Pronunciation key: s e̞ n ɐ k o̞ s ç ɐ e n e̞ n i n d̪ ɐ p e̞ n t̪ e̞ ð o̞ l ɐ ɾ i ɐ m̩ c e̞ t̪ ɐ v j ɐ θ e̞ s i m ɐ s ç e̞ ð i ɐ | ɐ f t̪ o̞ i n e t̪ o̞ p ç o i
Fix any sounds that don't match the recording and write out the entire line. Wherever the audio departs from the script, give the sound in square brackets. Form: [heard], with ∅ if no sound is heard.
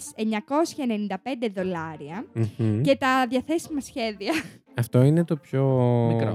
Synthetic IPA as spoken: s e̞ [ɲ] ɐ k o̞ s ç ɐ e n e̞ n i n d̪ ɐ p e̞ n [d̪] e̞ ð o̞ l ɐ ɾ i ɐ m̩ c e̞ t̪ ɐ [ð] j ɐ θ e̞ s i m ɐ s ç e̞ ð i ɐ | ɐ f t̪ o̞ i n e t̪ o̞ p ç o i